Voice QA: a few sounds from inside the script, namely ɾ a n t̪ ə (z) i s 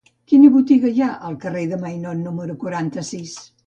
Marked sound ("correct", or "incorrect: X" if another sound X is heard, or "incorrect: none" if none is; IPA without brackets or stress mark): incorrect: s